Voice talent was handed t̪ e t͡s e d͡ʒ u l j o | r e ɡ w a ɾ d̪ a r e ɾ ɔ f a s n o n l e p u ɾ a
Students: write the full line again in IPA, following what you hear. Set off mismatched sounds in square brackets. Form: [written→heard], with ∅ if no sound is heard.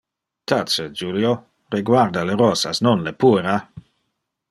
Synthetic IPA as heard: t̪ [e→a] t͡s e d͡ʒ u l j o | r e ɡ w a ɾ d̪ a [r→l] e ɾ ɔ [f→s] a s n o n l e p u ɾ a